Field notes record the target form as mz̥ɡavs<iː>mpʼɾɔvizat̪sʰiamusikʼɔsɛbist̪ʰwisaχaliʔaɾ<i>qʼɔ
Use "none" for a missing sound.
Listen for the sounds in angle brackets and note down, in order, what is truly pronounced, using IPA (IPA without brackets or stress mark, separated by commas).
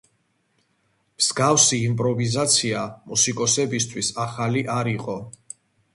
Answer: iː, i